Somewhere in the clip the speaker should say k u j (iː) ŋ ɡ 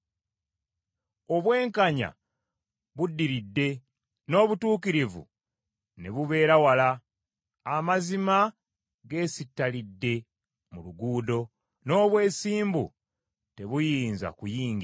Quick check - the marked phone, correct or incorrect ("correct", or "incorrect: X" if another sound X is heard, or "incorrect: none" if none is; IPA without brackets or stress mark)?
correct